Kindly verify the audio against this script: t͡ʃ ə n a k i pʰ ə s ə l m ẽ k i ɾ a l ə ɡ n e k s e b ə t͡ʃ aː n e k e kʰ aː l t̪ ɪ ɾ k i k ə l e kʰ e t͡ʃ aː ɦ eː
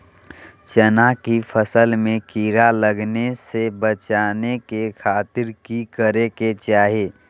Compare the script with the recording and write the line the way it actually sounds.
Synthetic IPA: t͡ʃ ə n a k i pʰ ə s ə l m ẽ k i ɾ a l ə ɡ n e s e b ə t͡ʃ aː n e k e kʰ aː t̪ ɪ ɾ k i k ə ɾ e k e t͡ʃ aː ɦ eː